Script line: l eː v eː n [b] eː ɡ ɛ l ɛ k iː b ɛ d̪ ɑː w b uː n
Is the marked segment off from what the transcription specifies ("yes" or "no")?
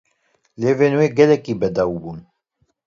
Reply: yes